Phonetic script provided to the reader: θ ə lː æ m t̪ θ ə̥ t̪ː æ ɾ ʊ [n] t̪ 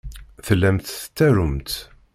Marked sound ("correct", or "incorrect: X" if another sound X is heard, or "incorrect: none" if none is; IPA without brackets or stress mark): incorrect: m